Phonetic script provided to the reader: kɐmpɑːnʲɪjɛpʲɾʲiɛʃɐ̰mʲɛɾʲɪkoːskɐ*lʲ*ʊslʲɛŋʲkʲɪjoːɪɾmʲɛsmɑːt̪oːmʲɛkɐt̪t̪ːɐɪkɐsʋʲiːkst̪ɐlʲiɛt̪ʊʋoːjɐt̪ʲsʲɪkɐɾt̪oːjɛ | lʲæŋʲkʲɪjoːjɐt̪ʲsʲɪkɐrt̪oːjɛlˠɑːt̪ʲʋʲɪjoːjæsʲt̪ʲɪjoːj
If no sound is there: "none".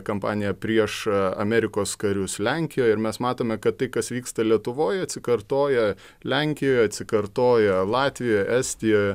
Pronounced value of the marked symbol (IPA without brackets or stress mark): ɾʲ